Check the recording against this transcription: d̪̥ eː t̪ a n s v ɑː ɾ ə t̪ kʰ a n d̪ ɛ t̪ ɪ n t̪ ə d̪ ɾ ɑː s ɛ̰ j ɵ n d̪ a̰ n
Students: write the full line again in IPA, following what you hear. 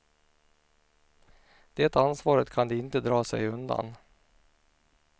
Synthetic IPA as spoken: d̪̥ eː t̪ a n s v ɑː ɾ ə t̪ kʰ a n d̪ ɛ ɪ n t̪ ə d̪ ɾ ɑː s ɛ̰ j ɵ n d̪ a̰ n